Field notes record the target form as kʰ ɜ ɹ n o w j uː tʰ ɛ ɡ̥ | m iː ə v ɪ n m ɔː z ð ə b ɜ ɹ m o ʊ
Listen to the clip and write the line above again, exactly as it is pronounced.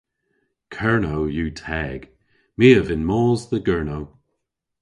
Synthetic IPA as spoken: kʰ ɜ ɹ n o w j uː tʰ ɛ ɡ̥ | m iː ə v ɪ n m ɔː z ð ə ɡ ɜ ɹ n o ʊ